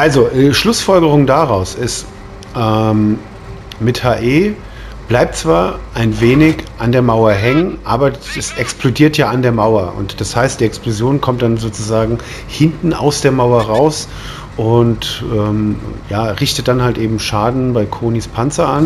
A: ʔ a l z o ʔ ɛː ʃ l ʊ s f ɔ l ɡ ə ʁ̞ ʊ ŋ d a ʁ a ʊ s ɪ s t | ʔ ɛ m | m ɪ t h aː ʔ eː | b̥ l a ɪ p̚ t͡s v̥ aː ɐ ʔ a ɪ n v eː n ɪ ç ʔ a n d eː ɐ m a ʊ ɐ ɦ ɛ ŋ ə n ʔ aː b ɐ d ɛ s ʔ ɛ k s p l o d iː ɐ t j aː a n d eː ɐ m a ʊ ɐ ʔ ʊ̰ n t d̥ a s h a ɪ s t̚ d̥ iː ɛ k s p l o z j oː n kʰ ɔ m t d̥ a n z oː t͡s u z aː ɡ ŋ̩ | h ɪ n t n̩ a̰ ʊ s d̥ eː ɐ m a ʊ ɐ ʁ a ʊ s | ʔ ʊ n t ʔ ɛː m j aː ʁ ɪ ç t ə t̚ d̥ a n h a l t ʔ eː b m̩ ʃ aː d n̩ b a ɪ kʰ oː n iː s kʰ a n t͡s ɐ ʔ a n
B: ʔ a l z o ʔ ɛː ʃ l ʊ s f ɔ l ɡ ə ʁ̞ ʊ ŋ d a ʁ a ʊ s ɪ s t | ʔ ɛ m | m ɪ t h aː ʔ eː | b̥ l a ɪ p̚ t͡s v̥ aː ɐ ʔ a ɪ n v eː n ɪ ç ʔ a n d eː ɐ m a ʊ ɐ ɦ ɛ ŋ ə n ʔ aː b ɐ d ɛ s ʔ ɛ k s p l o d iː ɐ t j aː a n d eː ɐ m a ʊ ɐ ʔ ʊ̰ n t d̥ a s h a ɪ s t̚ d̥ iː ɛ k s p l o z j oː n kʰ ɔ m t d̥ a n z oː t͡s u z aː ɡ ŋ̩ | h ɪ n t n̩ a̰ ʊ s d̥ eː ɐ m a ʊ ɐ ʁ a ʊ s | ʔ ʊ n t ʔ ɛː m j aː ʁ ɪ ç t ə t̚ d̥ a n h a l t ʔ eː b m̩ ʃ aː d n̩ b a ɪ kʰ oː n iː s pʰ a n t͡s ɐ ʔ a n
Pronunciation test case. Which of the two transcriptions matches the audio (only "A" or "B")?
B